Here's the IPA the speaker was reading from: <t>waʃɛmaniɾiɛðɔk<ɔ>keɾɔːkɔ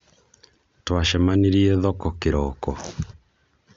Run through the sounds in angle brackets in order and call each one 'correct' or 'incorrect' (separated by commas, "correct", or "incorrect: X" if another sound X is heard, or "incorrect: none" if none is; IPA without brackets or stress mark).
correct, correct